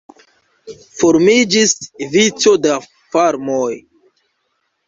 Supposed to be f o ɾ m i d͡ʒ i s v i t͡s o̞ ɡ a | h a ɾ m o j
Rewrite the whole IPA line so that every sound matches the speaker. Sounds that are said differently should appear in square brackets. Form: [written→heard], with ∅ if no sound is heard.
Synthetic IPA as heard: f o ɾ m i d͡ʒ i s v i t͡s o̞ [ɡ→d] a | [h→f] a ɾ m o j